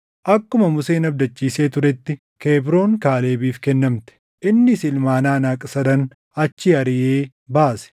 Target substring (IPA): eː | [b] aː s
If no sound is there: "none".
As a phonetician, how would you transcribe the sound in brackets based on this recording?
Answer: b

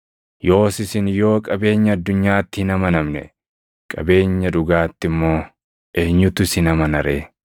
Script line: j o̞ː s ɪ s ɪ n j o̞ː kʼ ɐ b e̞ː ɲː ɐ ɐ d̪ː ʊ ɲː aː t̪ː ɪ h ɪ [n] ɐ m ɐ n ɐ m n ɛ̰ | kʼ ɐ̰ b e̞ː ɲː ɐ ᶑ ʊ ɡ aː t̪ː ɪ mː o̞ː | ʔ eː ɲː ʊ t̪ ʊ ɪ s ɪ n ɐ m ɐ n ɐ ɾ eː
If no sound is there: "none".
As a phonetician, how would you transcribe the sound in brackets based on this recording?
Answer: n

